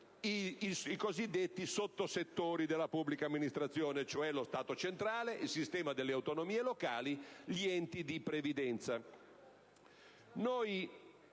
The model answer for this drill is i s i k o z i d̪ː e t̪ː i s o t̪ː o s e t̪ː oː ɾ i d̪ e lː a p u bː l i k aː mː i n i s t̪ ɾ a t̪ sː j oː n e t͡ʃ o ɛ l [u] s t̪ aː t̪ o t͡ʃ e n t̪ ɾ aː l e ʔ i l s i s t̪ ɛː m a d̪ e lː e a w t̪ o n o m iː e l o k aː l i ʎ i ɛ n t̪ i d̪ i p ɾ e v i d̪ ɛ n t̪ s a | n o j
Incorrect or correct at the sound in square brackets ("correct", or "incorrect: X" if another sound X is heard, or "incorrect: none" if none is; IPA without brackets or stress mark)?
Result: incorrect: o